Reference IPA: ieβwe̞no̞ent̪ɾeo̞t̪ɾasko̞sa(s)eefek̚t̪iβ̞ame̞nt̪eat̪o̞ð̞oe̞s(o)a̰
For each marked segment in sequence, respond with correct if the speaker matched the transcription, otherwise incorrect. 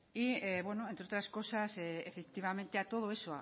correct, correct

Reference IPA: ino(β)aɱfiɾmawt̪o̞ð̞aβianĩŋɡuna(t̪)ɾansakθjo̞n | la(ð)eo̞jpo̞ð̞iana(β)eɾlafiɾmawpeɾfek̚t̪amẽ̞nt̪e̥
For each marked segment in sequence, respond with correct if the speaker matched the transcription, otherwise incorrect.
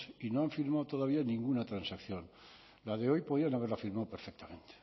incorrect, correct, correct, correct

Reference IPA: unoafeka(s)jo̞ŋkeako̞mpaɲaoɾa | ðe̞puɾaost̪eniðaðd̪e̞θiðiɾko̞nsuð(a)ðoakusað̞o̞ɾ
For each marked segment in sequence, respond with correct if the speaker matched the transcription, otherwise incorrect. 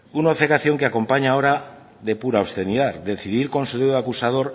incorrect, incorrect

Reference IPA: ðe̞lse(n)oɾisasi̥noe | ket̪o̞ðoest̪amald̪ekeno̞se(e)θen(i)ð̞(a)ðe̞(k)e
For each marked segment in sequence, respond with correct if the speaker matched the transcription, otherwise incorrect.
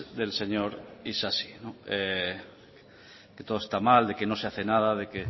incorrect, incorrect, incorrect, correct, correct

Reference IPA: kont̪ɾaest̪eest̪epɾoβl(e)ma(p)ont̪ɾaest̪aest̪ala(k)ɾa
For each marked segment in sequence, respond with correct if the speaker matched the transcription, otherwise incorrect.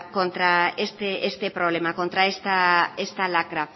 correct, incorrect, correct

